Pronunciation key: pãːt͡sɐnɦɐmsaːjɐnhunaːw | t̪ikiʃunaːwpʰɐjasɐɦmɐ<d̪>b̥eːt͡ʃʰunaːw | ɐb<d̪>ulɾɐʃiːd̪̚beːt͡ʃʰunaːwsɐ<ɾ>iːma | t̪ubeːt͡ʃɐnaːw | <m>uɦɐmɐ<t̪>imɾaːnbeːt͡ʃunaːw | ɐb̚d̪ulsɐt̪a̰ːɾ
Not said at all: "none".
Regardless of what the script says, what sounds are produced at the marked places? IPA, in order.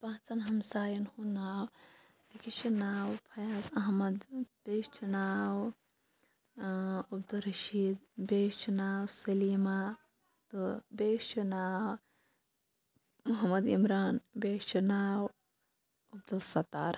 d̪, d̪, l, m, d̪

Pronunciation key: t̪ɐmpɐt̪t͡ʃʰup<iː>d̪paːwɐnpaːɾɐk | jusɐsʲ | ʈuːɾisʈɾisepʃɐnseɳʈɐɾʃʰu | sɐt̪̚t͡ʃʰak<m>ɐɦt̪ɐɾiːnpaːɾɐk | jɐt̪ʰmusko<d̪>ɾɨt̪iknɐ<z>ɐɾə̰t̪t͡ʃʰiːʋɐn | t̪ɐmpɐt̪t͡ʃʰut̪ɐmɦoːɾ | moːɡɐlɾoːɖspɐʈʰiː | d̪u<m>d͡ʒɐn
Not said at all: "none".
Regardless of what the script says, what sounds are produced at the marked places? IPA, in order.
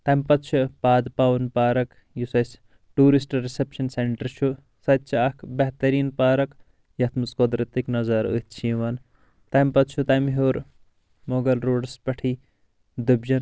aː, b, d̪, z, b

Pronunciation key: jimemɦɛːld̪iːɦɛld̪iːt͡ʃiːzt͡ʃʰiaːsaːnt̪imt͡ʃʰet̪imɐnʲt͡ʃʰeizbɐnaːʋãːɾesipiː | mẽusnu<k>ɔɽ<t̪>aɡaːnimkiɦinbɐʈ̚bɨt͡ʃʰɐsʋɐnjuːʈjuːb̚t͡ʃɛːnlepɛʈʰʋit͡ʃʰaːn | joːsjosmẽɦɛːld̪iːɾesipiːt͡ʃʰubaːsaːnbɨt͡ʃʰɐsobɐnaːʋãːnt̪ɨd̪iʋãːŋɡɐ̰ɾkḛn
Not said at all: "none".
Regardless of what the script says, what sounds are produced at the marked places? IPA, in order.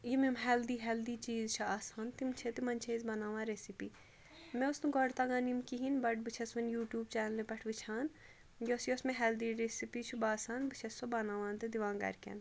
ɡ, t̪

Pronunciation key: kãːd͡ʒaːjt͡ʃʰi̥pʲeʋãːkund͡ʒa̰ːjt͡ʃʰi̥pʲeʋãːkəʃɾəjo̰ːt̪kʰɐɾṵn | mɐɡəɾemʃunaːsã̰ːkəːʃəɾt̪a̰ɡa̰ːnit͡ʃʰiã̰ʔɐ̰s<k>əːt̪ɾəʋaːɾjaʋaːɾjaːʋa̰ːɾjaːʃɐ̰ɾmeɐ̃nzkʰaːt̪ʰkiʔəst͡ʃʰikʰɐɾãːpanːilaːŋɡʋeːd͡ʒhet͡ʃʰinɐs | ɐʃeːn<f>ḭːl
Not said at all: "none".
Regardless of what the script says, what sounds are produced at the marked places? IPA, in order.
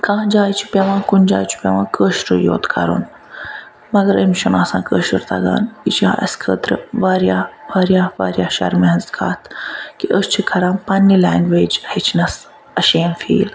kʰ, f

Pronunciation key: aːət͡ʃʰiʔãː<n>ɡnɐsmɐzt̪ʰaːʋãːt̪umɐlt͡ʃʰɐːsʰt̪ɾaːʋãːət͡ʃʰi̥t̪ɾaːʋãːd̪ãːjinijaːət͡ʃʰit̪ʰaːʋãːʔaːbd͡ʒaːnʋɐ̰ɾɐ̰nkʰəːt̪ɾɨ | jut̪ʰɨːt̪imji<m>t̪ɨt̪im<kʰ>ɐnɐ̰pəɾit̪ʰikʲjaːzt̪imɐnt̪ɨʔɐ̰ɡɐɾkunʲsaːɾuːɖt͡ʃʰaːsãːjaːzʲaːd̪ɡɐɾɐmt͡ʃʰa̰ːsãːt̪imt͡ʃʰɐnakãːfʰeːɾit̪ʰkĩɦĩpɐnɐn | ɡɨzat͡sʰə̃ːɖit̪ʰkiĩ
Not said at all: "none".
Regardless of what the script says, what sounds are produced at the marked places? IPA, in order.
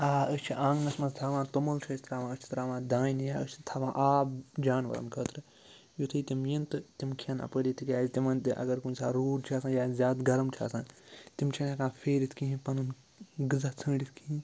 ŋ, n, kʰ

